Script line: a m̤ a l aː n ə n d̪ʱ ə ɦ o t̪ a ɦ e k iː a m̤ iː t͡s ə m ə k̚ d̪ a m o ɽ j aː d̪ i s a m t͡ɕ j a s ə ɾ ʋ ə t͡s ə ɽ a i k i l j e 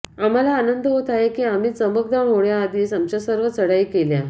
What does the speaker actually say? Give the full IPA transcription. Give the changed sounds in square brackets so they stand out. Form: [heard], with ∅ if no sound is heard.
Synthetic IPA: a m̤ a l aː n ə n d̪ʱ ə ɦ o t̪ a ɦ e k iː a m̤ iː t͡s ə m ə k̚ d̪ a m o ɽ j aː d̪ [iː] s a m t͡ɕ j a s ə ɾ ʋ ə t͡s ə ɽ a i k [e] l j [a]

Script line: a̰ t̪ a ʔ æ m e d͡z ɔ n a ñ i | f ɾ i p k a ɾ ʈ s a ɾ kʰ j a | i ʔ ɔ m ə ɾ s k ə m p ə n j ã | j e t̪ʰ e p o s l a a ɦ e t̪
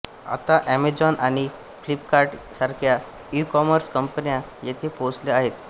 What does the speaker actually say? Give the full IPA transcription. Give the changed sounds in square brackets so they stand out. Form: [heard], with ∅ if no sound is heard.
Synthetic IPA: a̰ t̪ a ʔ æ m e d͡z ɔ n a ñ i | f [l] i p k a ɾ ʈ s a ɾ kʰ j a | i [k] ɔ m ə ɾ s k ə m p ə n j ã | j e t̪ʰ e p o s l [e] a ɦ e t̪

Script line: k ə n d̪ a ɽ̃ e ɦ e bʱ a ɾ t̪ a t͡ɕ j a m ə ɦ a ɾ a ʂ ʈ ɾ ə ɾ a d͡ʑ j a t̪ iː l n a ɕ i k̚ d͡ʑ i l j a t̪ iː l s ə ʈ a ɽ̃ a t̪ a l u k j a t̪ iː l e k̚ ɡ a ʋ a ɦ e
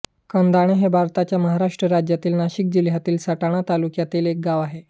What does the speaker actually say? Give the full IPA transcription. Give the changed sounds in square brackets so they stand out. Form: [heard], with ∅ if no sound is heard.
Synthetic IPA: k ə n d̪ a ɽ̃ e ɦ e bʱ a ɾ t̪ a t͡ɕ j a m ə ɦ a ɾ a ʂ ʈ ɾ ə ɾ a d͡ʑ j a t̪ iː l n a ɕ i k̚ d͡ʑ i l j a t̪ iː l s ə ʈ a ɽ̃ a t̪ a l u k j a t̪ iː l e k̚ ɡ a ʋ a ɦ e

